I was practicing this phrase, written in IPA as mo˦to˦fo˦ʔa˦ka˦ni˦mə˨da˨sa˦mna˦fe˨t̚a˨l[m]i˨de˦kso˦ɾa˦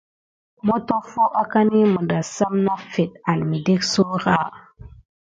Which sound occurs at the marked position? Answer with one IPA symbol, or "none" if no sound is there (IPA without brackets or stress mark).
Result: m